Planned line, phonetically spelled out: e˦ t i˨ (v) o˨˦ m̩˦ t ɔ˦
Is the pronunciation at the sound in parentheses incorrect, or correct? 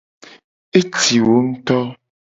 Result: incorrect: w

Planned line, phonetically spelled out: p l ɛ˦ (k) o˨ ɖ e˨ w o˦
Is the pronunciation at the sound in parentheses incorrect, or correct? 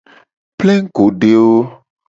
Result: incorrect: ɡ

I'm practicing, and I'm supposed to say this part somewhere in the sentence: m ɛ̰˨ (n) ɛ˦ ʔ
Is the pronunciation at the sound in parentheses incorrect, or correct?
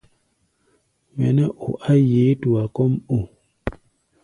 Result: correct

